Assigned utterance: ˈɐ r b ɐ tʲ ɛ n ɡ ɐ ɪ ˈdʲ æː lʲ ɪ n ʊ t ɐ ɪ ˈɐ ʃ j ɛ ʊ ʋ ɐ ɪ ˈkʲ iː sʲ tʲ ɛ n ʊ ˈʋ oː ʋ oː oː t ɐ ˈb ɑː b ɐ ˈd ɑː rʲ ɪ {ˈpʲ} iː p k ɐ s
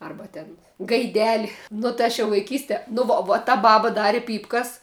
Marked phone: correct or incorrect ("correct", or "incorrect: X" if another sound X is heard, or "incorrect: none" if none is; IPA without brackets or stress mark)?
correct